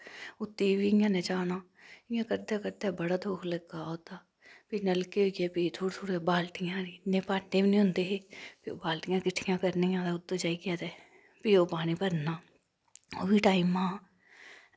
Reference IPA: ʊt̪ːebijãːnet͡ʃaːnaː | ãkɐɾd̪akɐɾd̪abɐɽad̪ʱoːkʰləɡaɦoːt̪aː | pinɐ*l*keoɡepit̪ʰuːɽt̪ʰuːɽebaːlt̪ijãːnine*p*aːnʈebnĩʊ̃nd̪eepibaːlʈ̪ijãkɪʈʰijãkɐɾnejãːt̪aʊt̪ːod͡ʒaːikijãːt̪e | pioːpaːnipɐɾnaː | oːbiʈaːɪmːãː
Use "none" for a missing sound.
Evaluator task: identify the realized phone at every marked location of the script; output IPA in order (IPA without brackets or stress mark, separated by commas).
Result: l, p